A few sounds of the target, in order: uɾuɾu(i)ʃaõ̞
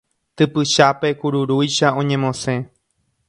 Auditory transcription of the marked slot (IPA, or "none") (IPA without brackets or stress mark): j